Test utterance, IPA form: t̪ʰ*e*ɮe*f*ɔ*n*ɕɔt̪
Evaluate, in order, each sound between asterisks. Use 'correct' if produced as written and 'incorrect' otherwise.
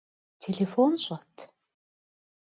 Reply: correct, correct, correct

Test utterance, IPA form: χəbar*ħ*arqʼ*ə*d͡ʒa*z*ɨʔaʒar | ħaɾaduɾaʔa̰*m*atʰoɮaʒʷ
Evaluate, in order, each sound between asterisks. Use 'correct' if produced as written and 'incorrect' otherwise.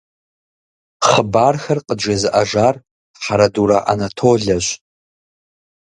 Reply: incorrect: x, correct, correct, incorrect: n

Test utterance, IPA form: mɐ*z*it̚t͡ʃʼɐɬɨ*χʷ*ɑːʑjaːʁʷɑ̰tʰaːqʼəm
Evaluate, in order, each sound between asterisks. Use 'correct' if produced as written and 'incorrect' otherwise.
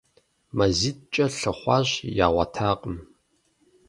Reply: correct, correct

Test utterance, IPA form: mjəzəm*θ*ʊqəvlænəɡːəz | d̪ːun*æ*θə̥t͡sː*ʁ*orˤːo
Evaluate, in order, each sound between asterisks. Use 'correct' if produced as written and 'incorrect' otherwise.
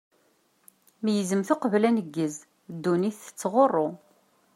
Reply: correct, incorrect: i, correct

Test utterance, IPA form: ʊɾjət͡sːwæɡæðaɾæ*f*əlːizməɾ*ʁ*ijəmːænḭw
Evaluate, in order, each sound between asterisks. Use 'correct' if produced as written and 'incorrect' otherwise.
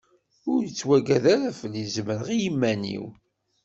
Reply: correct, correct

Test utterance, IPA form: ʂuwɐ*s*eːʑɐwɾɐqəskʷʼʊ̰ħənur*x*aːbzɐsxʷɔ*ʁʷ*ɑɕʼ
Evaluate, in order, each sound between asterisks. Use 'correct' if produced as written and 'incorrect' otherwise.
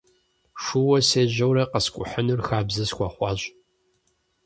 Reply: correct, correct, incorrect: χʷ

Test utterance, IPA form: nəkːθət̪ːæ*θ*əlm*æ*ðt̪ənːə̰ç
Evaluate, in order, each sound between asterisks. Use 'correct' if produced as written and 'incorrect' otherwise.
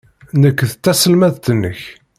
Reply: incorrect: s, correct

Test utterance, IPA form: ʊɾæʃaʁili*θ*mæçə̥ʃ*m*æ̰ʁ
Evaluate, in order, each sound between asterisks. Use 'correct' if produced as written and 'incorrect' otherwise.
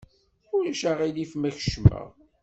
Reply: incorrect: f, correct

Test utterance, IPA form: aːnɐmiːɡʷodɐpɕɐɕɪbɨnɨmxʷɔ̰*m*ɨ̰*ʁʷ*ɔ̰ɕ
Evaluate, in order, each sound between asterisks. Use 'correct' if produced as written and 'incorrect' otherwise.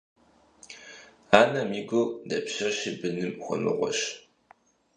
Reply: correct, correct

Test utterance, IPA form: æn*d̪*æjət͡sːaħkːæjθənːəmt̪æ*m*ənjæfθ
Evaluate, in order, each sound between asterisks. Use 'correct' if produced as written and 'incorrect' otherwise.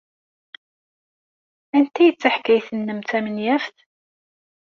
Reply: incorrect: t̪, correct

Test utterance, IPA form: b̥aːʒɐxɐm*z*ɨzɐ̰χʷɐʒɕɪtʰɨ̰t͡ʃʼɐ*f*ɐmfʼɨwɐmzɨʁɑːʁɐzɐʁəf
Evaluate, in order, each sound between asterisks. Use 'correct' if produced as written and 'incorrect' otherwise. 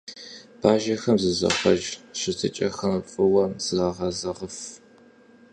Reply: correct, incorrect: x

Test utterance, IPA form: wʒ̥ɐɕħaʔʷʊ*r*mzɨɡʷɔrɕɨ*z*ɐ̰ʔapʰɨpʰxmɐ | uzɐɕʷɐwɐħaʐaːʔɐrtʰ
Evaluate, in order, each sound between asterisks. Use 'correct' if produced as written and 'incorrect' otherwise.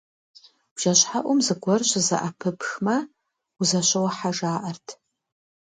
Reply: incorrect: none, correct

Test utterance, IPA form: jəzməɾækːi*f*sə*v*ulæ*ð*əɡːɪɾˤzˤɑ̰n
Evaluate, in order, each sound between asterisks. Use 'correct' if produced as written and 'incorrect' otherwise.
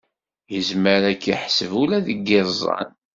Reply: incorrect: ħ, correct, correct

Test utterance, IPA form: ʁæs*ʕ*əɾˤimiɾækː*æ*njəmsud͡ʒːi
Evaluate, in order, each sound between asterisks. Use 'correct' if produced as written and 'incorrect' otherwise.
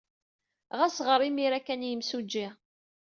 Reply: incorrect: ʁ, correct

